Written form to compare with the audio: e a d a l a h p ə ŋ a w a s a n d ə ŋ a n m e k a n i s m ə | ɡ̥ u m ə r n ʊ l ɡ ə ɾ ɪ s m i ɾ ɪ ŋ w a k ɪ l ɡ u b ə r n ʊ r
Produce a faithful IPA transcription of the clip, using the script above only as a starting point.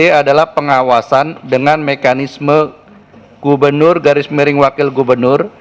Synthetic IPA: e a d a l a h p ə ŋ a w a s a n d ə ŋ a n m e k a n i s m ə | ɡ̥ u b ə r n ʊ r ɡ a ɾ ɪ s m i ɾ ɪ ŋ w a k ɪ l ɡ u b ə r n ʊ r